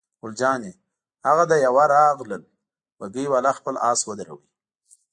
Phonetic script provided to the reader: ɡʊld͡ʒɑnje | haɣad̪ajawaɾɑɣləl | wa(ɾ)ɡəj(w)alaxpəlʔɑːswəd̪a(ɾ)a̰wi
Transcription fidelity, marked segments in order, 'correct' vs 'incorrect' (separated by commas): incorrect, correct, correct